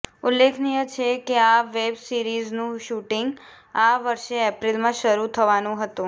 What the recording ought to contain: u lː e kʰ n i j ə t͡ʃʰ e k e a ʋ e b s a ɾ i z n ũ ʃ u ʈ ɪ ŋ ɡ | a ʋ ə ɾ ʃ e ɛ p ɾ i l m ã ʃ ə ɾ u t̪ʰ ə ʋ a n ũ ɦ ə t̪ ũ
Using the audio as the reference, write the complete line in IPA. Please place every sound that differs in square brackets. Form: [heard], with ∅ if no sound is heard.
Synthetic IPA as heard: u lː e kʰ n i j ə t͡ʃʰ e k e a ʋ e b s [i] ɾ i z n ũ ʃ u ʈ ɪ ŋ ɡ | a ʋ ə ɾ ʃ e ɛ p ɾ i l m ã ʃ ə ɾ u t̪ʰ ə ʋ a n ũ ɦ ə t̪ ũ